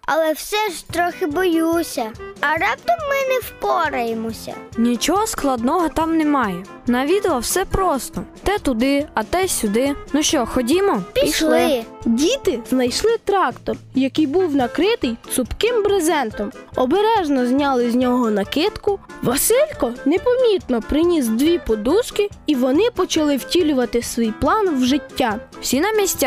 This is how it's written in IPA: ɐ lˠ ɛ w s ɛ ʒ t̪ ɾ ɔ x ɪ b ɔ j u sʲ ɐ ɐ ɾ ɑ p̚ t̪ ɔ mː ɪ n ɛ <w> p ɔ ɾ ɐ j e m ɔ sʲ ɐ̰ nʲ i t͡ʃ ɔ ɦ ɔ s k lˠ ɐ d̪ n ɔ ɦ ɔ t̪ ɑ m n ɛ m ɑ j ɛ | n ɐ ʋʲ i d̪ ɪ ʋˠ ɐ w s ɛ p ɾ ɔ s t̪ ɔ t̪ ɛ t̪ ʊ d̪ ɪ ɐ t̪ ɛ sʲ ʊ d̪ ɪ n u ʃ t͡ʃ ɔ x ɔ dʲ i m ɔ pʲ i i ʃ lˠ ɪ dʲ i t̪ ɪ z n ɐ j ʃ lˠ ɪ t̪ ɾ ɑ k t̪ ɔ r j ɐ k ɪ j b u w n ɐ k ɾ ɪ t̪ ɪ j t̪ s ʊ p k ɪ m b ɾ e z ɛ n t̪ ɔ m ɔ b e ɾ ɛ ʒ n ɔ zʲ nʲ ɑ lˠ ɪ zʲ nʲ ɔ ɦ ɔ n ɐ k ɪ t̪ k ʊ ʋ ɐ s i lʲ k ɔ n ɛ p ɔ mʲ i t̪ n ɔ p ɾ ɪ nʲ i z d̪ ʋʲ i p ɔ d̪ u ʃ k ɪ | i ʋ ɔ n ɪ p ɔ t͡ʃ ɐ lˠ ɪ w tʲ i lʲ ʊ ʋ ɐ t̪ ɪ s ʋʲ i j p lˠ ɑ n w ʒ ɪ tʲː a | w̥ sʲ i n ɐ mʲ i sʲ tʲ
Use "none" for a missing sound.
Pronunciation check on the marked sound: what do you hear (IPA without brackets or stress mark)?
w